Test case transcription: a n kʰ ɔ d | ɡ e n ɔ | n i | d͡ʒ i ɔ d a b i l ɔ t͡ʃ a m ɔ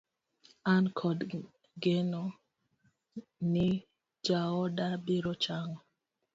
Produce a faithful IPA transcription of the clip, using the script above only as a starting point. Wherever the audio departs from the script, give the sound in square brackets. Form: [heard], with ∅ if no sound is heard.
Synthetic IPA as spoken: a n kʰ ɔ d | ɡ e n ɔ | n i | d͡ʒ [a] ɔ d a b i [ɾ] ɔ t͡ʃ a [ŋ] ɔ